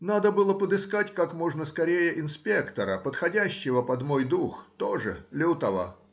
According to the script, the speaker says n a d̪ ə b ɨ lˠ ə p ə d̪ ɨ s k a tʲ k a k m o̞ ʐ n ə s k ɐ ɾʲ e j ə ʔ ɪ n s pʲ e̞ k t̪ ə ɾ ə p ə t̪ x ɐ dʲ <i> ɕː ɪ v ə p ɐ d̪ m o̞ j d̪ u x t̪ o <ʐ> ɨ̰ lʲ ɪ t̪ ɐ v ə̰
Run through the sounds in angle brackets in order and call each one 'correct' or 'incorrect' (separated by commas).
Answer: incorrect, correct